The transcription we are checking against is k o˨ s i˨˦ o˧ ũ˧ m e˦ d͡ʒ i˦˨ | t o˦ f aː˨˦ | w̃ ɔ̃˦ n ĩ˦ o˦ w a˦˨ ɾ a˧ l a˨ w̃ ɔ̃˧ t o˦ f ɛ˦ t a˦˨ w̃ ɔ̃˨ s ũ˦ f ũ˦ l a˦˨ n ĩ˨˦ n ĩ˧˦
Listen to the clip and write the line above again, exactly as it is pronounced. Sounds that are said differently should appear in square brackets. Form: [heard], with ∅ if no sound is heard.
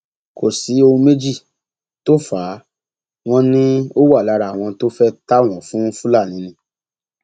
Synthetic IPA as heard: k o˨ s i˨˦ o˧ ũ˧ m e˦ d͡ʒ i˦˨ | t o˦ f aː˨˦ | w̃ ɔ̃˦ n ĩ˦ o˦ w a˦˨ [l] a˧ [ɾ] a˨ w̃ ɔ̃˧ t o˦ f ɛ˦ t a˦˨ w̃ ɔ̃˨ [f] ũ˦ f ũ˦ l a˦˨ n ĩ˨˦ n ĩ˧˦